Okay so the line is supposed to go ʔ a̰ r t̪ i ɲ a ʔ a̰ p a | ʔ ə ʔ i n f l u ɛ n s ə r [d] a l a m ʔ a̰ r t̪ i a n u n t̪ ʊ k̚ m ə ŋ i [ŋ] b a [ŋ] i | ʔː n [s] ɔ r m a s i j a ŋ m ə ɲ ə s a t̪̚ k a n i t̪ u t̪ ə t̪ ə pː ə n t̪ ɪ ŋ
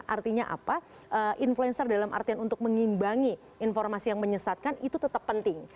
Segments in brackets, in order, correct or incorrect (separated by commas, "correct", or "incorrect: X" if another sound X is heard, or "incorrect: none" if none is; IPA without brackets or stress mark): correct, incorrect: m, correct, incorrect: f